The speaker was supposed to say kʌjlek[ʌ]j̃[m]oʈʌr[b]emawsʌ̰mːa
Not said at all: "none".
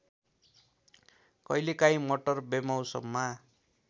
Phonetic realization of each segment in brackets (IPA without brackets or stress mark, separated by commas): a, m, b